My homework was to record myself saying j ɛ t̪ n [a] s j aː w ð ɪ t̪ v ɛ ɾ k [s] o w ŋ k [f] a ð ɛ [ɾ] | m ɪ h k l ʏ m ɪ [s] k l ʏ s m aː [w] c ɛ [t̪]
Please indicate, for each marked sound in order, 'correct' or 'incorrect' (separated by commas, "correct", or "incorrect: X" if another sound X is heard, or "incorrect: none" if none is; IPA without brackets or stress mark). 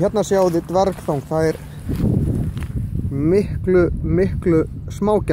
correct, incorrect: θ, incorrect: θ, correct, incorrect: h, correct, incorrect: none